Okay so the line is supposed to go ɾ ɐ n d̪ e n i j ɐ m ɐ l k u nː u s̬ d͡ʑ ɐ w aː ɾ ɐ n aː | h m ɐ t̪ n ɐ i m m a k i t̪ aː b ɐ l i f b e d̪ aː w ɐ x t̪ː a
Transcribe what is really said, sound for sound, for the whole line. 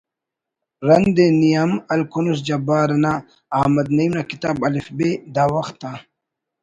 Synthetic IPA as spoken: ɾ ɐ n d̪ e n i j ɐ m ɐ l k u n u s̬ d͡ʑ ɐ b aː ɾ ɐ n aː | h m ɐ d̪ n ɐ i m n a k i t̪ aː b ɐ l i f b e d̪ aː w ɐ x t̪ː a